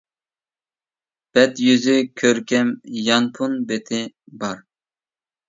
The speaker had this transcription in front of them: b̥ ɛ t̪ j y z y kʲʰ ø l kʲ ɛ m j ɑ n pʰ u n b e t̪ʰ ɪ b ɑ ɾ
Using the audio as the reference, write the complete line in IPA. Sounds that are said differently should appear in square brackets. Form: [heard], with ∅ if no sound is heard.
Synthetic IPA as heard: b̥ ɛ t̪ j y z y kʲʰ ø [ɾ] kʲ ɛ m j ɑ n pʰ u n b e t̪ʰ ɪ b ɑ ɾ

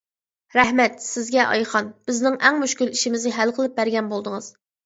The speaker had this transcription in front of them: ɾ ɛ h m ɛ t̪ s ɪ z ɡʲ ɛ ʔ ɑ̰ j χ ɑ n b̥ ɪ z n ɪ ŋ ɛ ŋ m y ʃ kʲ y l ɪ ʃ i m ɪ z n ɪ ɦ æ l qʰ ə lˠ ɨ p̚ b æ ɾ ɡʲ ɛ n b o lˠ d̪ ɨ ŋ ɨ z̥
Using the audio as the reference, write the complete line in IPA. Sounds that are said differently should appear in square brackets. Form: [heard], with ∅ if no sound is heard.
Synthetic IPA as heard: ɾ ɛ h m ɛ t̪ s ɪ z ɡʲ ɛ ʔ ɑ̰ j χ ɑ n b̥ ɪ z n ɪ ŋ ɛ ŋ m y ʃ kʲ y l [i] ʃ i m ɪ z n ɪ ɦ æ l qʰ ə lˠ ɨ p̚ b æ ɾ ɡʲ ɛ n b o lˠ d̪ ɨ ŋ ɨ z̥

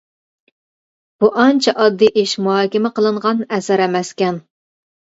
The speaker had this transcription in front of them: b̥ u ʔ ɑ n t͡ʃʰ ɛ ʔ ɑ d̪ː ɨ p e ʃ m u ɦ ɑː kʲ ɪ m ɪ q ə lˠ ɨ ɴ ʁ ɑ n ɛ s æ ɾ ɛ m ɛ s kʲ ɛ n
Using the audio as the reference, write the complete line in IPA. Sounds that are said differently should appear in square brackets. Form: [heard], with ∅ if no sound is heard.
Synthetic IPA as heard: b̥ u ʔ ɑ n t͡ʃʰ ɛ ʔ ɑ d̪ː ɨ [ʔ] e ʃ m u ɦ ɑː kʲ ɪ m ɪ q ə lˠ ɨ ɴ ʁ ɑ n ɛ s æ ɾ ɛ m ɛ s kʲ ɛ n

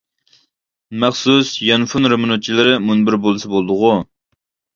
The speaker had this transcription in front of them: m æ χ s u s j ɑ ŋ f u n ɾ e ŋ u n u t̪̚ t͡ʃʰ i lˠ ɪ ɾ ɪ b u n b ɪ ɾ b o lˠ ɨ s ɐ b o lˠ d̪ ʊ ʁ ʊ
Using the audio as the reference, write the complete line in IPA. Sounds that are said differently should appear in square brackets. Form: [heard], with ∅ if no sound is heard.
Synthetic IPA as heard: m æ χ s u s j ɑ [n] f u n ɾ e [m] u n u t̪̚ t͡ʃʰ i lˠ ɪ ɾ ɪ [m] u n b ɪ ɾ b o lˠ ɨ s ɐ b o lˠ d̪ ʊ ʁ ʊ

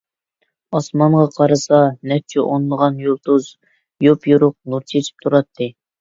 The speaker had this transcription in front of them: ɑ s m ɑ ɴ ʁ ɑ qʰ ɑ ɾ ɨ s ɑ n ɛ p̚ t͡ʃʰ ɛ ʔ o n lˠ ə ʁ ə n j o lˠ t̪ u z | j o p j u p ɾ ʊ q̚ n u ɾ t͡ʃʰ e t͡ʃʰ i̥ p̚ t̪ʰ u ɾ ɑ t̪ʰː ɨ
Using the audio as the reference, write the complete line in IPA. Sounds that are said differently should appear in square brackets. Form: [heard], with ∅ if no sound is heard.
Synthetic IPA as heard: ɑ s m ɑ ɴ ʁ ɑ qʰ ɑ ɾ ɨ s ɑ n ɛ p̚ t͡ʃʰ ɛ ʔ o n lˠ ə ʁ [ɑ] n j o lˠ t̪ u z | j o p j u [∅] ɾ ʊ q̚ n u ɾ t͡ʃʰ e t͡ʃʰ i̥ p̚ t̪ʰ u ɾ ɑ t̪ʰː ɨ

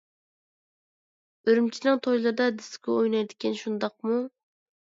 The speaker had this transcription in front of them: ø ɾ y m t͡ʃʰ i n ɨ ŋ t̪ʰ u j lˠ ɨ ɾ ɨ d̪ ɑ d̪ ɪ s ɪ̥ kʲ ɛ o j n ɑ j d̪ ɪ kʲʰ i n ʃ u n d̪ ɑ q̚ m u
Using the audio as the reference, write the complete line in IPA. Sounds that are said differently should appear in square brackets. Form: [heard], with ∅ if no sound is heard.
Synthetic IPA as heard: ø ɾ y m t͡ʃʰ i n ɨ ŋ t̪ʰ [o] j lˠ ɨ ɾ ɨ d̪ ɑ d̪ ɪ s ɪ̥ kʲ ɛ o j n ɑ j d̪ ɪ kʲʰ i n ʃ u n d̪ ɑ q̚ m u

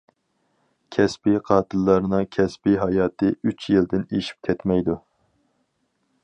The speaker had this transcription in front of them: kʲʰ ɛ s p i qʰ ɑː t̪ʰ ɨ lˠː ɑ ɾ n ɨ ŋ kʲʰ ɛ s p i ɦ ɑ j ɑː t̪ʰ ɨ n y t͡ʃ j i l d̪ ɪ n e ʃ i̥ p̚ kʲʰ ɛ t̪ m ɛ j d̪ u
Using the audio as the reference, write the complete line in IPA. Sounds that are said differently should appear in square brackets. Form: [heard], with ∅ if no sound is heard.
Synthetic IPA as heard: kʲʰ ɛ s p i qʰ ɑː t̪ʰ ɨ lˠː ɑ ɾ n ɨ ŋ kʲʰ ɛ s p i ɦ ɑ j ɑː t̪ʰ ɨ [∅] y t͡ʃ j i l d̪ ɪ n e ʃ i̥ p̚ kʲʰ ɛ t̪ m ɛ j d̪ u

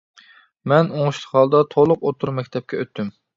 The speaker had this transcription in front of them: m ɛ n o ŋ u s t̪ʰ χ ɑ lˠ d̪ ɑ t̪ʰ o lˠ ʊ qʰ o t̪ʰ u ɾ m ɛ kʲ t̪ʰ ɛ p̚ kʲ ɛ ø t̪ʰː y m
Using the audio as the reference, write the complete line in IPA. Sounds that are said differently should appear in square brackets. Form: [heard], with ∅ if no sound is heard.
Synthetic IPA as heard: m ɛ n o ŋ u [ʃ] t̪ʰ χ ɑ lˠ d̪ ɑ t̪ʰ o lˠ ʊ [q] o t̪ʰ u ɾ m ɛ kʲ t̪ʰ ɛ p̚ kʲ ɛ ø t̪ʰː y m

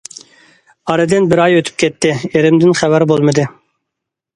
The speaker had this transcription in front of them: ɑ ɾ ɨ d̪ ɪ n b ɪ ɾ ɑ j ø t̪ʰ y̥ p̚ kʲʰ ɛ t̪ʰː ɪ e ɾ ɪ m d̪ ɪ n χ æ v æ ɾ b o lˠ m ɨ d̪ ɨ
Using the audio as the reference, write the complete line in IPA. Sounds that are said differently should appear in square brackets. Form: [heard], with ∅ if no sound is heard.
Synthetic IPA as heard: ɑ ɾ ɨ d̪ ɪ n b ɪ ɾ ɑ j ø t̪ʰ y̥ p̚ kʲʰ ɛ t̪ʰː ɪ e ɾ ɪ m d̪ ɪ n χ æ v æ ɾ b o lˠ m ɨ d̪ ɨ

